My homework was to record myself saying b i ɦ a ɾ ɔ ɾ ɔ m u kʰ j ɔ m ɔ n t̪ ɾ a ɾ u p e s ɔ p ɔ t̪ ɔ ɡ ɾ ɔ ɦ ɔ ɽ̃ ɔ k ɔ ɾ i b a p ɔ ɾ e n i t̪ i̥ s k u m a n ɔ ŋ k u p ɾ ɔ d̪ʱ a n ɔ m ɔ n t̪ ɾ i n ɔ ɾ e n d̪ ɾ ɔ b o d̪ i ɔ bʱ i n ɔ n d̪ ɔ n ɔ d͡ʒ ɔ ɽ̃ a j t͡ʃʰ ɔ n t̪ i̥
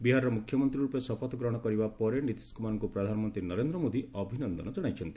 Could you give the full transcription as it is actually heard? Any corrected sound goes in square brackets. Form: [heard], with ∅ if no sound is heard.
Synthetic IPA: b i ɦ a ɾ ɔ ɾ ɔ m u kʰ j ɔ m ɔ n t̪ ɾ [i] ɾ u p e s ɔ p ɔ t̪ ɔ ɡ ɾ ɔ ɦ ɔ ɽ̃ ɔ k ɔ ɾ i b a p ɔ ɾ e n i t̪ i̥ s k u m a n ɔ ŋ k u p ɾ ɔ d̪ʱ a n ɔ m ɔ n t̪ ɾ i n ɔ ɾ e n d̪ ɾ ɔ [m] o d̪ i ɔ bʱ i n ɔ n d̪ ɔ n ɔ d͡ʒ ɔ ɽ̃ a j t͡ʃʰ ɔ n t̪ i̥